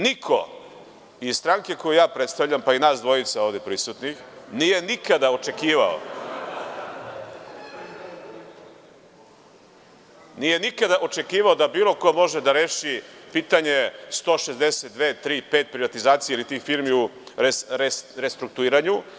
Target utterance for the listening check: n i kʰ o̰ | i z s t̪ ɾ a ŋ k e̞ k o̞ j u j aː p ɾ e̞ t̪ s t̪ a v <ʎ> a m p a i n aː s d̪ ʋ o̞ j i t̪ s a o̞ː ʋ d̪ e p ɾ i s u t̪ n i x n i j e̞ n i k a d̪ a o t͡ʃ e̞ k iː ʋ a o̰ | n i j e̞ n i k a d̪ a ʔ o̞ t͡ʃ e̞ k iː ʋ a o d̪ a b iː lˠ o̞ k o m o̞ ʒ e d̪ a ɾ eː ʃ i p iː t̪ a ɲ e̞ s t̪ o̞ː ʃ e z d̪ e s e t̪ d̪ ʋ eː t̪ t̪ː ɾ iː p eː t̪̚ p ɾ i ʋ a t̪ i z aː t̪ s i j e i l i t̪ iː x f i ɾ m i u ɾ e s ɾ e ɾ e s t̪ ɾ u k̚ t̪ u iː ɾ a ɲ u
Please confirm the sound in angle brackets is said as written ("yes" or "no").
yes